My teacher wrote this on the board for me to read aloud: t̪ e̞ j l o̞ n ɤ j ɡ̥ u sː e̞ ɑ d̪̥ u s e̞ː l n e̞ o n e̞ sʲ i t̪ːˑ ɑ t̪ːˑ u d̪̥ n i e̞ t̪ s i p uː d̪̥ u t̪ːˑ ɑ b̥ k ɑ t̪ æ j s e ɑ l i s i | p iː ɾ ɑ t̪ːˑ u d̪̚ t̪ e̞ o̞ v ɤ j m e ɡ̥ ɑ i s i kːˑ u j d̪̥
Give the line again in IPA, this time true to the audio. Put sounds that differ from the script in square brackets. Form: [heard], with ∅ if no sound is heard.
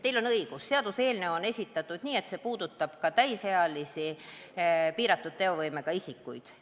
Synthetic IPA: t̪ e̞ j l o̞ n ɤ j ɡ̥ u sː e̞ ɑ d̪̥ u s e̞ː l n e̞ o n e̞ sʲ i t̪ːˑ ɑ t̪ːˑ u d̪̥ n [iː] e̞ t̪ s [e] p uː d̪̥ u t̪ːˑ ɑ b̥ k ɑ t̪ æ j s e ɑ l i s i | p iː ɾ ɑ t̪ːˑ u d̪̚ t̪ e̞ o̞ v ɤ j m e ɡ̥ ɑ i s i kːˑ u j d̪̥

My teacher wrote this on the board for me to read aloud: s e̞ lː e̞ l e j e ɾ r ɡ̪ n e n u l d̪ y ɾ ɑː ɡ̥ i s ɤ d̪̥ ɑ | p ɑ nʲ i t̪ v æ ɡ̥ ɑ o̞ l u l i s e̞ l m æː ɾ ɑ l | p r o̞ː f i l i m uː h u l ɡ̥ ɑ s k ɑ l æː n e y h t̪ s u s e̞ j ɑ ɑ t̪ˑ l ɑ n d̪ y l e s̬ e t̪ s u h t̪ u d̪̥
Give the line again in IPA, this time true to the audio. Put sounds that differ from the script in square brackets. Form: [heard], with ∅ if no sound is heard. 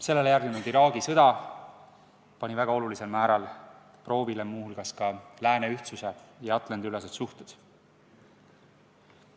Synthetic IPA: s e̞ lː e̞ l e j [æ] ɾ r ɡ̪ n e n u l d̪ [i] ɾ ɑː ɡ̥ i s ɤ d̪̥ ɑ | p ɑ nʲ i [∅] v æ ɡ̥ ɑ o̞ l u l i s e̞ l m æː ɾ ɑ l | p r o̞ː [v] i l [e] m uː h u l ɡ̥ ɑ s k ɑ l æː n e y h t̪ s u s e̞ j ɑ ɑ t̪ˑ l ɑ n d̪ y l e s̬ e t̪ s u h t̪ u d̪̥

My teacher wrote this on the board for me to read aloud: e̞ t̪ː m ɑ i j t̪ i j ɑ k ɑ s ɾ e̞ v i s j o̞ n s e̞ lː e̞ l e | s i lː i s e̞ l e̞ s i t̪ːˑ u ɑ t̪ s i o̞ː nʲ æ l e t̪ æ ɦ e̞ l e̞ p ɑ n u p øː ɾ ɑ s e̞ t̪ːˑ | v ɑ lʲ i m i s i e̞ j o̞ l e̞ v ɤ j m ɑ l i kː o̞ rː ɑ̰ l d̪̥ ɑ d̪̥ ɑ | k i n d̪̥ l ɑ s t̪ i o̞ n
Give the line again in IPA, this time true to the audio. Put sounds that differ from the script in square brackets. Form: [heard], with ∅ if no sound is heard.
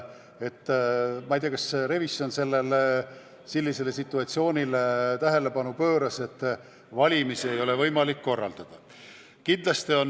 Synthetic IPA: e̞ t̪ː m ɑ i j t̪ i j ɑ k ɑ s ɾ e̞ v i s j o̞ n s e̞ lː e̞ l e | s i lː i s e̞ l e̞ s i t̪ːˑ u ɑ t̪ s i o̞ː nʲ [i] l e t̪ æ ɦ e̞ l e̞ p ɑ n u p øː ɾ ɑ s e̞ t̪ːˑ | v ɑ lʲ i m i s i e̞ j o̞ l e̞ v ɤ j m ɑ l i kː o̞ rː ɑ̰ l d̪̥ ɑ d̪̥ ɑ | k i n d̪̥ l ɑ s t̪ i o̞ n

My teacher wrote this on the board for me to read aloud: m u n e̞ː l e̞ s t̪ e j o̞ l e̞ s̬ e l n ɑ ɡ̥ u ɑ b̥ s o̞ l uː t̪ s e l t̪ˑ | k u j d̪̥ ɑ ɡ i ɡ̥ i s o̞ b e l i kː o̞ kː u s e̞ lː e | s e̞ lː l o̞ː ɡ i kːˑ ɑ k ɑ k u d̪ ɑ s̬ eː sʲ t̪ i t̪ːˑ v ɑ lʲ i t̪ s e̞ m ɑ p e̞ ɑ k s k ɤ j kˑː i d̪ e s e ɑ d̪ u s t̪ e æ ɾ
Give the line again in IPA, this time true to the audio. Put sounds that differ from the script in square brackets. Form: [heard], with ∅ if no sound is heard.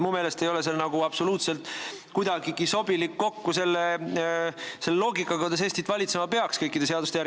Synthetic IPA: m u [m] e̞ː l e̞ s t̪ e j o̞ l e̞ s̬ e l n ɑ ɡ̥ u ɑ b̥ s o̞ l uː t̪ s e l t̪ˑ | k u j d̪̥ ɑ ɡ i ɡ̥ i s o̞ b [i] l i kː o̞ kː u s e̞ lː e | s e̞ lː l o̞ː ɡ i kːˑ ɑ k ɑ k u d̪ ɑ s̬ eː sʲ t̪ i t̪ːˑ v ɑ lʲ i t̪ s e̞ m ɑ p e̞ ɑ k s k ɤ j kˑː i d̪ e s e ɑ d̪ u s t̪ e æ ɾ

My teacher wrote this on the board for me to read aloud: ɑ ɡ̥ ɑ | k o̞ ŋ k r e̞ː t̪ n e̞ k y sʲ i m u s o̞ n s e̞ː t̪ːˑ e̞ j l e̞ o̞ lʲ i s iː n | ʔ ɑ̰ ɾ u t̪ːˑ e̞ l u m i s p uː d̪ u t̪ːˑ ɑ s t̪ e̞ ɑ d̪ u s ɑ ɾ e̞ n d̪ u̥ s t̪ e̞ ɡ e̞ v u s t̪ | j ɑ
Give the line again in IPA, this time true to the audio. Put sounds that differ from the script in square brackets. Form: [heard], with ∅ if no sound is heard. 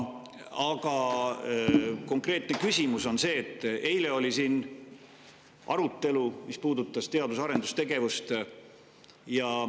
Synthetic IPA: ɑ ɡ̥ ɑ | k o̞ ŋ k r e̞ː t̪ n e̞ k y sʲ i m u s o̞ n s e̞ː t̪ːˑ e̞ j l e̞ o̞ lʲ i s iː n | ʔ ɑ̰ ɾ u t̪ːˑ e̞ l u m i s p uː d̪ u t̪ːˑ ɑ s t̪ e̞ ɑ d̪ u s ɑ ɾ e̞ n d̪ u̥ s t̪ e̞ ɡ e̞ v u s t̪ | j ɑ

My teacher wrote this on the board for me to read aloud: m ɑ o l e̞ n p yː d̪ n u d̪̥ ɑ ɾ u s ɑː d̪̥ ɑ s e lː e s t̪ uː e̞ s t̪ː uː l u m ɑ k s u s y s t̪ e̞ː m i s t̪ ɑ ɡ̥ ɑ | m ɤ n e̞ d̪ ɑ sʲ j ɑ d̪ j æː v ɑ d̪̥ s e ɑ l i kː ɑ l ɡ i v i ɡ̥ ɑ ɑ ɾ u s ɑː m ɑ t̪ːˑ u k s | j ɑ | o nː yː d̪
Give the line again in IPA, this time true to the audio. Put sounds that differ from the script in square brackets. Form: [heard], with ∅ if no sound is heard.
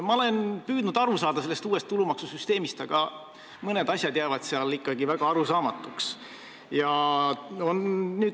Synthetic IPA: m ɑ o l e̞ n p yː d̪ n u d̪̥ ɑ ɾ u s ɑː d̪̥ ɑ s e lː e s t̪ uː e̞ s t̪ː [u] l u m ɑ k s u s y s t̪ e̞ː m i s t̪ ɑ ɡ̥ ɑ | m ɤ n e̞ d̪ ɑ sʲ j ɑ d̪ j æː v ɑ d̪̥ s e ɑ l i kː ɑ [∅] ɡ i v [æ] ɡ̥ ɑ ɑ ɾ u s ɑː m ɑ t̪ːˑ u k s | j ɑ | o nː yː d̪

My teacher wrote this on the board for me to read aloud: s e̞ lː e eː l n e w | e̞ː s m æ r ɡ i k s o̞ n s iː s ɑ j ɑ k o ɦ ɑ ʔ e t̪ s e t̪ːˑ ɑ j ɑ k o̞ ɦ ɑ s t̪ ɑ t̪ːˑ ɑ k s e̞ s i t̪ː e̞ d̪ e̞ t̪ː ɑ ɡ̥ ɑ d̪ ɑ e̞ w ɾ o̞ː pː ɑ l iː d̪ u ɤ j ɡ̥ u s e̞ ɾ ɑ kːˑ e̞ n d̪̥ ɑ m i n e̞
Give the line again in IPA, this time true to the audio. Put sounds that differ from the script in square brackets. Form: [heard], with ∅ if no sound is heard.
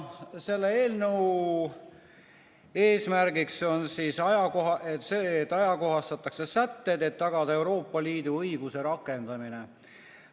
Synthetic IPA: s e̞ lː e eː l n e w | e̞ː s m æ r ɡ i k s o̞ n s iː s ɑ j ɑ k o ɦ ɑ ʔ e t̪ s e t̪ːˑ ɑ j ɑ k o̞ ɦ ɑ s t̪ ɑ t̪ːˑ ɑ k s e̞ s [æ] t̪ː e̞ d̪ e̞ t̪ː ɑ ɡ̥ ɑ d̪ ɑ e̞ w ɾ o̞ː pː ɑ l iː d̪ u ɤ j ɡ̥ u s e̞ ɾ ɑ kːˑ e̞ n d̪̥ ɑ m i n e̞

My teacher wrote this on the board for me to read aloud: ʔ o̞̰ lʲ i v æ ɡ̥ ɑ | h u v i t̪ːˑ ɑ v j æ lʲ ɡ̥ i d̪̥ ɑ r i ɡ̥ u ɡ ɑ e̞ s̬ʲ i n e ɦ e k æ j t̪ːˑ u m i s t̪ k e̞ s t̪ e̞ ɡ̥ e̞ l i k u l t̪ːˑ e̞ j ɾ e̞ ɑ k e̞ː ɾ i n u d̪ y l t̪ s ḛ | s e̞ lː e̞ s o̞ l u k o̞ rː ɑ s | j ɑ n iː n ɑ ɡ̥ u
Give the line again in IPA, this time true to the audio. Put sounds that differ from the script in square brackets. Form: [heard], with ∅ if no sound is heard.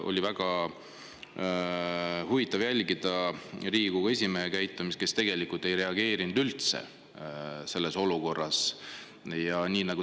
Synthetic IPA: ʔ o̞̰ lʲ i v æ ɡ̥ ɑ | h u v i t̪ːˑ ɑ v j æ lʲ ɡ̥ i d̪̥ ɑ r [iː] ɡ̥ u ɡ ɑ e̞ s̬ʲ i [m] e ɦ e k æ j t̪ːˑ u m i s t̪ k e̞ s t̪ e̞ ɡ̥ e̞ l i k u l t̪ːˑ e̞ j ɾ e̞ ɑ [ɡ] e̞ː ɾ i n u d̪ y l t̪ s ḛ | s e̞ lː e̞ s o̞ l u k o̞ rː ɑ s | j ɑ n iː n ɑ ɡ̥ u

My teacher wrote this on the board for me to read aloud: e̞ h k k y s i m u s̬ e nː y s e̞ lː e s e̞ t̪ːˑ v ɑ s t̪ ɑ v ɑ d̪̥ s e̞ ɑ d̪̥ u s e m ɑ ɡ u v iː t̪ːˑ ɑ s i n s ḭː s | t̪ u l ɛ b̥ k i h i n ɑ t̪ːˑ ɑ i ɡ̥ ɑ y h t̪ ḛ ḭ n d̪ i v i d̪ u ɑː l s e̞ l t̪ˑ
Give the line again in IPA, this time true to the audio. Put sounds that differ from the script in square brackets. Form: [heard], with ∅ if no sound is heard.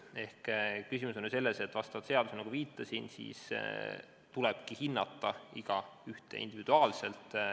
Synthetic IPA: e̞ h k k y s i m u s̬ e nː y s e̞ lː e s e̞ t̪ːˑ v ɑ s t̪ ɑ v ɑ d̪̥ s e̞ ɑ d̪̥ u s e [n] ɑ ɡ u v iː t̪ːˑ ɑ s i n s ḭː s | t̪ u l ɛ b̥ k i h i [nː] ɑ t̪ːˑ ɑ i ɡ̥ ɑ y h t̪ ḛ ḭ n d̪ i v i d̪ u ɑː l s e̞ l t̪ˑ

